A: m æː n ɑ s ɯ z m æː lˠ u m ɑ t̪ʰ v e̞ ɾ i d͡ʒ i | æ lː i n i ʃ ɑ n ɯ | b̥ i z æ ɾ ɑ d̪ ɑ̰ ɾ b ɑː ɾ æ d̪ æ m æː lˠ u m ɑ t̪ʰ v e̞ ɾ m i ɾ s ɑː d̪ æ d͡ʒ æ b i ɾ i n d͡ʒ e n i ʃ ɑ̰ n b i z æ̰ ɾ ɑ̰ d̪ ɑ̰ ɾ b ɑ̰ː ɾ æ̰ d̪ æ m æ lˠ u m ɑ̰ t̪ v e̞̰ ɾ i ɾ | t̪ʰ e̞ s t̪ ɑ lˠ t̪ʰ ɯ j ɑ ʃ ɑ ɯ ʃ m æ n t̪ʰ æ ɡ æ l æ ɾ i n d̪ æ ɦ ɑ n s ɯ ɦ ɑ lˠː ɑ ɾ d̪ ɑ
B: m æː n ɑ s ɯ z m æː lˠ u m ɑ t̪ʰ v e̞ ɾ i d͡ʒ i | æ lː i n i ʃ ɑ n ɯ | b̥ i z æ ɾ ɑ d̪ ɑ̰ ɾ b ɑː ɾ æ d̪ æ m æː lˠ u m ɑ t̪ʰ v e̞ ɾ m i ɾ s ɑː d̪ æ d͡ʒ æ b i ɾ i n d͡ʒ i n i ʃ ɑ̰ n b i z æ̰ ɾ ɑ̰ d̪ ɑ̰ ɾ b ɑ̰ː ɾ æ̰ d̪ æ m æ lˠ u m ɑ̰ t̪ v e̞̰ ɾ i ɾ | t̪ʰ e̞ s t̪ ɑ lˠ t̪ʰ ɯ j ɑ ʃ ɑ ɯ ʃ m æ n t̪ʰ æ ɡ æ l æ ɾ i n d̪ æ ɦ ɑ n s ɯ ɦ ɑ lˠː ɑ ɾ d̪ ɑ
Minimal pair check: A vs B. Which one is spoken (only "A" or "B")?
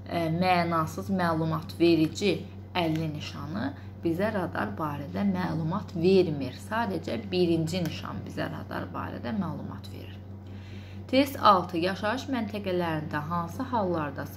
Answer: B